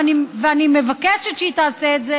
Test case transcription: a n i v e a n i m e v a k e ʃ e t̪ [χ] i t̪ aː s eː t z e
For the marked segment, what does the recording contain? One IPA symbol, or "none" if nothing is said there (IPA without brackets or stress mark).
ʃ